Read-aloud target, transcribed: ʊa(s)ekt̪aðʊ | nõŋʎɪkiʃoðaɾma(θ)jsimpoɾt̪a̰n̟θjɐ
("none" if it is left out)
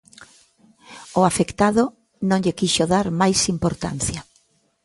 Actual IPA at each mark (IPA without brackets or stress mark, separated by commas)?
f, none